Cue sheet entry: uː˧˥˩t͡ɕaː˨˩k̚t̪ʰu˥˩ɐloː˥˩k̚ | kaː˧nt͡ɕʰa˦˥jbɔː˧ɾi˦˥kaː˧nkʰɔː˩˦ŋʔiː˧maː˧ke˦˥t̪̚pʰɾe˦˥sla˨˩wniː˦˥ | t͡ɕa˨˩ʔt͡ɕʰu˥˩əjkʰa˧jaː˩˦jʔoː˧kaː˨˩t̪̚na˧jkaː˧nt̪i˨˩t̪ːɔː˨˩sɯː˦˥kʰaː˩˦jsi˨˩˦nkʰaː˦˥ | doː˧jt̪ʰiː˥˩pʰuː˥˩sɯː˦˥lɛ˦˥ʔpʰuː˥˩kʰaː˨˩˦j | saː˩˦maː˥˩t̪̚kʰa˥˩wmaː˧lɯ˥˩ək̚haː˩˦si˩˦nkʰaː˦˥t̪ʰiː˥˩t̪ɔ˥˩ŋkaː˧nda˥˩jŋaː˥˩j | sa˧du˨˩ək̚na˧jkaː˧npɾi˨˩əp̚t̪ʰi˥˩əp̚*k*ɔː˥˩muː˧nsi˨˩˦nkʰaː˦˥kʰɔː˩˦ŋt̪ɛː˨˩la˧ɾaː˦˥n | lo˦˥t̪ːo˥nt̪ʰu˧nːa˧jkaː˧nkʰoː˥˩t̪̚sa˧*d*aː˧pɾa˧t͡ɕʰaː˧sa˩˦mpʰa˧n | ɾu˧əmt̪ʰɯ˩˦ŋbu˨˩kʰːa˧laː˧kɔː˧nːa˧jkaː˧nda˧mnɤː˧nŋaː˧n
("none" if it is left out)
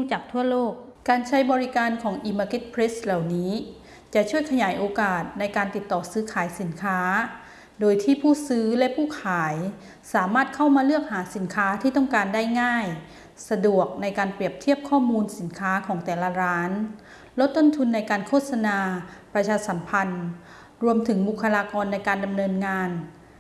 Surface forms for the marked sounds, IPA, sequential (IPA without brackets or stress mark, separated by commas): kʰ, n